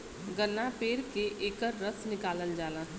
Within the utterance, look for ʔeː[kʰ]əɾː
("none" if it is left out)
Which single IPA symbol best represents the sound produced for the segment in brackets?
k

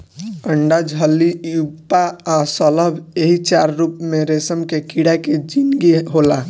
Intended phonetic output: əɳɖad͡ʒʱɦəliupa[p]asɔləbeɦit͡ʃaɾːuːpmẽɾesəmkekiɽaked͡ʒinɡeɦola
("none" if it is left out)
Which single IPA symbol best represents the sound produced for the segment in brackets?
none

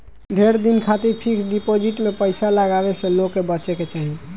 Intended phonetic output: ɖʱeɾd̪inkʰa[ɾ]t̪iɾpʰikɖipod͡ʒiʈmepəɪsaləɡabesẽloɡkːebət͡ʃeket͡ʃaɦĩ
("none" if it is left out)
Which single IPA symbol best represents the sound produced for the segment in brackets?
none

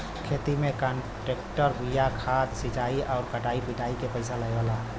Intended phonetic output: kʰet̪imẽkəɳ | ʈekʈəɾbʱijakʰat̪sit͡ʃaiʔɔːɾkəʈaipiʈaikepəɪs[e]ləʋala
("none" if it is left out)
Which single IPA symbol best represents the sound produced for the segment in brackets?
a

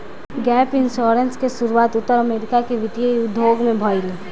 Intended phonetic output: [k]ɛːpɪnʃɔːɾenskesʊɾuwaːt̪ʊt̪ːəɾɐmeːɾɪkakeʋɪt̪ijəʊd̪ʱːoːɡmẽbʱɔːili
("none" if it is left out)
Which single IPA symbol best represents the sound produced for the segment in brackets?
ɡ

